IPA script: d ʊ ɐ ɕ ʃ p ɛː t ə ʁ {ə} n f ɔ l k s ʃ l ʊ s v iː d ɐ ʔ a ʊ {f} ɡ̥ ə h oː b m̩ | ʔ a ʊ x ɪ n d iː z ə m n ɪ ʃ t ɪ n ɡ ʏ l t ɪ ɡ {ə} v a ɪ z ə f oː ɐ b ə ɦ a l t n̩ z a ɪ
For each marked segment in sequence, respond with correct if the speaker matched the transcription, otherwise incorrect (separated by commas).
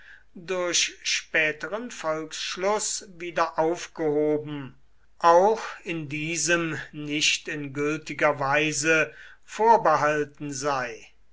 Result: correct, correct, incorrect